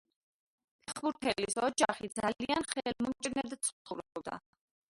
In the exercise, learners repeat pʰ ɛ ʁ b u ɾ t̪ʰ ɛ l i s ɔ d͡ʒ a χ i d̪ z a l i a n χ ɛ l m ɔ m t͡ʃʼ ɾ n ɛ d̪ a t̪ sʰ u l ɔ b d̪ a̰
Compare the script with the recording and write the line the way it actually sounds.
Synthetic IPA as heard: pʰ ɛ χ b u ɾ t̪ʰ ɛ l i s ɔ d͡ʒ a χ i d̪ z a l i a n χ ɛ l m ɔ m t͡ʃʼ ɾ n ɛ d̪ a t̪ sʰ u ɾ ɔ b d̪ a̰